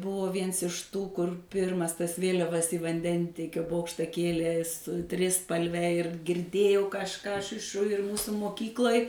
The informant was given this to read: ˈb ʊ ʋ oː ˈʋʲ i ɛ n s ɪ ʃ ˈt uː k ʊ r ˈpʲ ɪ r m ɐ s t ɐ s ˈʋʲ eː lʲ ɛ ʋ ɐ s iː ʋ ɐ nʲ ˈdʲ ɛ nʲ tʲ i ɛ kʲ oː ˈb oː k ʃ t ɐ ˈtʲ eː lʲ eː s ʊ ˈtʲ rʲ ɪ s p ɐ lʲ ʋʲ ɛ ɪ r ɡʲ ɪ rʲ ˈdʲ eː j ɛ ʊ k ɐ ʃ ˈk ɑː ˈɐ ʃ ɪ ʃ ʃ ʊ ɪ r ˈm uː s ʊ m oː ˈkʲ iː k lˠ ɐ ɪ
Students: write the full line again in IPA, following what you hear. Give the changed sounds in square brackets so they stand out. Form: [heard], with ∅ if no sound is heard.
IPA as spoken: ˈb ʊ ʋ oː ˈʋʲ i ɛ n s ɪ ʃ ˈt uː k ʊ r ˈpʲ ɪ r m ɐ s t ɐ s ˈʋʲ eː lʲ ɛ ʋ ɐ s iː ʋ ɐ nʲ ˈdʲ ɛ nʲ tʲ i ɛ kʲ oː ˈb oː k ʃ t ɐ [ˈkʲ] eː lʲ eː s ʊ ˈtʲ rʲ ɪ s p ɐ lʲ ʋʲ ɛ ɪ r ɡʲ ɪ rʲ ˈdʲ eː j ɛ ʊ k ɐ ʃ ˈk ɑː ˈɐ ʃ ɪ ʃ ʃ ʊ ɪ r ˈm uː s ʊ m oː ˈkʲ iː k lˠ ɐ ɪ

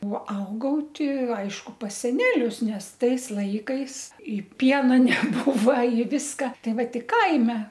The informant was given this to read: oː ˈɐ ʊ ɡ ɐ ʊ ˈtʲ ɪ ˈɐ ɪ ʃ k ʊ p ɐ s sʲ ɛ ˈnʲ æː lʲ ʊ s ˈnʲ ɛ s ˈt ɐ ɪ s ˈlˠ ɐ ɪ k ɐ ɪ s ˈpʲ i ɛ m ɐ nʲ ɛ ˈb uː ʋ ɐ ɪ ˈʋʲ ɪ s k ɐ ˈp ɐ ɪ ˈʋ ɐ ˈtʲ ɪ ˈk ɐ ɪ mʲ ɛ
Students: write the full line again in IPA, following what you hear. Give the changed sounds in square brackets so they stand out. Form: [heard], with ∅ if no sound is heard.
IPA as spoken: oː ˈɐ ʊ ɡ ɐ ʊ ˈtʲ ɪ ˈɐ ɪ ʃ k ʊ p ɐ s sʲ ɛ ˈnʲ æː lʲ ʊ s ˈnʲ ɛ s ˈt ɐ ɪ s ˈlˠ ɐ ɪ k ɐ ɪ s ˈpʲ i ɛ [n] ɐ nʲ ɛ ˈb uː ʋ ɐ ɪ ˈʋʲ ɪ s k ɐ [ˈt] ɐ ɪ ˈʋ ɐ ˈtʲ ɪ ˈk ɐ ɪ mʲ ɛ

